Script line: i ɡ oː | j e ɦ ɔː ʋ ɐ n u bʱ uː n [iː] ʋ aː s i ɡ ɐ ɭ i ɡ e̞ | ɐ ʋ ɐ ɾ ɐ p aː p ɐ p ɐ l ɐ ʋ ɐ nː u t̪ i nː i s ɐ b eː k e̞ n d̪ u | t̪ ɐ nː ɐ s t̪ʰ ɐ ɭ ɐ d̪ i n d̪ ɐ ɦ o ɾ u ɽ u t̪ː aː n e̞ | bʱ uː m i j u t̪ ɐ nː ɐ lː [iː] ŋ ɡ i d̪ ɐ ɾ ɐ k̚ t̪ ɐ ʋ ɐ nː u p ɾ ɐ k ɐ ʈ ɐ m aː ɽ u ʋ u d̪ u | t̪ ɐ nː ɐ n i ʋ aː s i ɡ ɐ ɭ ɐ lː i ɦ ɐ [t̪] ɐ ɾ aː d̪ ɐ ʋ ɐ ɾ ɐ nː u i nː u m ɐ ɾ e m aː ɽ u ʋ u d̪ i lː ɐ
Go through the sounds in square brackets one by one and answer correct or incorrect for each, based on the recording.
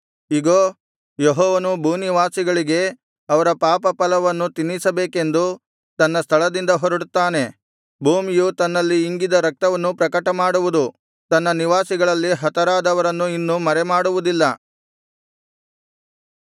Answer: incorrect: i, correct, correct

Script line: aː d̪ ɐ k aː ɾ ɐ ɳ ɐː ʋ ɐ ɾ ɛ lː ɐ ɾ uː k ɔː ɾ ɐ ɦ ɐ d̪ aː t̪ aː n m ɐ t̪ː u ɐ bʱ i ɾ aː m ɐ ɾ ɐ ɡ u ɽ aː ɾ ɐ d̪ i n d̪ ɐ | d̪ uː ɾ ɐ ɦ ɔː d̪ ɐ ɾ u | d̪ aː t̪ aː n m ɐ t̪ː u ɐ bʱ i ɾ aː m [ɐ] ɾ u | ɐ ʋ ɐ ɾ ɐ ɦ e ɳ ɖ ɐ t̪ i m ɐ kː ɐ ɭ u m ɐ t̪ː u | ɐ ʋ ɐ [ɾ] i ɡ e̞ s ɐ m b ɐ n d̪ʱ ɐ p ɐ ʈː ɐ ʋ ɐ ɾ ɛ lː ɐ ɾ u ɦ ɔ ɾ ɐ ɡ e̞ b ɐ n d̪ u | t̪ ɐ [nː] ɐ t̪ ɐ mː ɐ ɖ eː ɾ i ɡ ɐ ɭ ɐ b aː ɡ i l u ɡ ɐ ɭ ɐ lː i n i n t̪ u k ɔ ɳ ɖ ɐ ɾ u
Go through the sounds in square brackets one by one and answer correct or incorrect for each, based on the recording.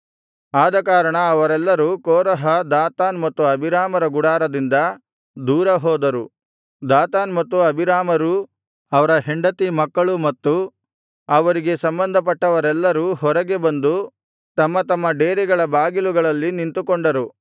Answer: correct, correct, incorrect: mː

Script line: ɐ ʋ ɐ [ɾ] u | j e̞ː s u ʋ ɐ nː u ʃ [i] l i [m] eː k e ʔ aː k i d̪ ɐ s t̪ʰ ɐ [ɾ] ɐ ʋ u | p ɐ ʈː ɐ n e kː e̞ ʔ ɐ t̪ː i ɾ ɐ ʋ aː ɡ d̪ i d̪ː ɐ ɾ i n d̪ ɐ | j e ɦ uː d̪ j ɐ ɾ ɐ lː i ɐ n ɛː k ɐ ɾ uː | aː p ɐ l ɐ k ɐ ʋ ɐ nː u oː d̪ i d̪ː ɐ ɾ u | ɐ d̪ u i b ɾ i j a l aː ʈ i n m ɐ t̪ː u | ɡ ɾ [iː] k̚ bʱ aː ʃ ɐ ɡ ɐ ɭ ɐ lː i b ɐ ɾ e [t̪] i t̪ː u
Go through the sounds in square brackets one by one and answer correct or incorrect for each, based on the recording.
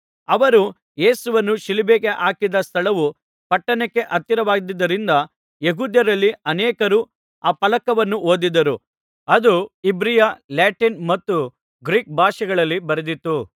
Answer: correct, correct, incorrect: b, incorrect: ɭ, correct, incorrect: d̪

